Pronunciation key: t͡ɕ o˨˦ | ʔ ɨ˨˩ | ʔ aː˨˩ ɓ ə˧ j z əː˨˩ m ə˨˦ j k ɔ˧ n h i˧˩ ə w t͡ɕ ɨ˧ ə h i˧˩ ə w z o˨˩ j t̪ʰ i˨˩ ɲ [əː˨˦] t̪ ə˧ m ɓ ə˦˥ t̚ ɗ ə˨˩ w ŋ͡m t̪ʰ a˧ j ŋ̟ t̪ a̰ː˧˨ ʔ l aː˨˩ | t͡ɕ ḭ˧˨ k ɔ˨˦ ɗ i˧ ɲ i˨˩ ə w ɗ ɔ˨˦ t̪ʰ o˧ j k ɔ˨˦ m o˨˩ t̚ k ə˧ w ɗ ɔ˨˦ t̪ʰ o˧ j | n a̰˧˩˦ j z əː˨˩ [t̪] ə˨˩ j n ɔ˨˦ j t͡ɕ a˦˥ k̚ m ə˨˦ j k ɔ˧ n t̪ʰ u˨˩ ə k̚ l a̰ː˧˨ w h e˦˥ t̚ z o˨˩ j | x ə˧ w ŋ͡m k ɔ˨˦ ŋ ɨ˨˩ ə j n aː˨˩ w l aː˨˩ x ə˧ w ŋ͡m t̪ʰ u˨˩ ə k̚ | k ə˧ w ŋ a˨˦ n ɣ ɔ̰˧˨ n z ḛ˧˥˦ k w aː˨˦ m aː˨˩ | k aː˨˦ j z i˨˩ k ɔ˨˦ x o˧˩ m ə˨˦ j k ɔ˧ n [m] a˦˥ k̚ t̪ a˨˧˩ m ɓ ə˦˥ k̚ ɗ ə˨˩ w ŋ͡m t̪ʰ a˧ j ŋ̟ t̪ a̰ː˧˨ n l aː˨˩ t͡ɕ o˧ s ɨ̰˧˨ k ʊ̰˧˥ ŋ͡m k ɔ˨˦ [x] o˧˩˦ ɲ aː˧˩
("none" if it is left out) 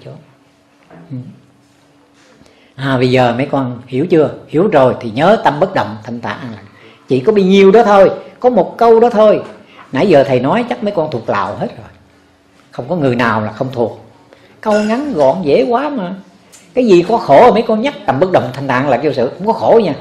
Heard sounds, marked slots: əː˨˦, t̪ʰ, ɲ, x

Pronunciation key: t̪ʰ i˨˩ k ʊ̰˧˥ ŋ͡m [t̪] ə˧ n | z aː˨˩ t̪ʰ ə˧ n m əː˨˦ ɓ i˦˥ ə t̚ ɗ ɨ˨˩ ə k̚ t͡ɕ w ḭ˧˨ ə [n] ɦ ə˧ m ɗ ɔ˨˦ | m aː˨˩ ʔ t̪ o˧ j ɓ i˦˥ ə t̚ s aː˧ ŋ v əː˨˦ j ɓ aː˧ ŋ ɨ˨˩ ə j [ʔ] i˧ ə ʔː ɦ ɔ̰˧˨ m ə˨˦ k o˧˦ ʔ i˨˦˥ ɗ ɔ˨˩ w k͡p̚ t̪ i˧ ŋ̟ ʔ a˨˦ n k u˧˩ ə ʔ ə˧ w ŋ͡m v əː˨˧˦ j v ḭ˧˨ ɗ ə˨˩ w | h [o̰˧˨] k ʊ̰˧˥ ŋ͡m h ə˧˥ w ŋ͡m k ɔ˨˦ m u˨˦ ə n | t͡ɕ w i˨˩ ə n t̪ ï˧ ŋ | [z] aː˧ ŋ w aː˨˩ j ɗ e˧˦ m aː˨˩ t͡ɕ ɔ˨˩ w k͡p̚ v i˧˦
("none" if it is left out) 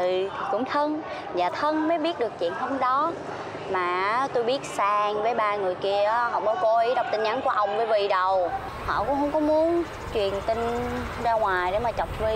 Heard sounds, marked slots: t̪ʰ, n, k, ɔ̰˧˨, z

